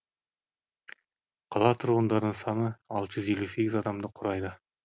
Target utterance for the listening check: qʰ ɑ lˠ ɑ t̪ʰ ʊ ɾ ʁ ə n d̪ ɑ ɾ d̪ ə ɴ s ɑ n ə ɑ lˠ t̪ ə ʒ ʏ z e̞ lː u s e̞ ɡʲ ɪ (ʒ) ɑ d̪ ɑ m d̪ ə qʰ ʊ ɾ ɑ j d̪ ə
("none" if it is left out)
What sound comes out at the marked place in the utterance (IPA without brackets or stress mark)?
z